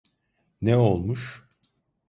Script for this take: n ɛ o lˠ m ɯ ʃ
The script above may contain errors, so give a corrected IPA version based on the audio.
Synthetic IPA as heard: n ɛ o lˠ m u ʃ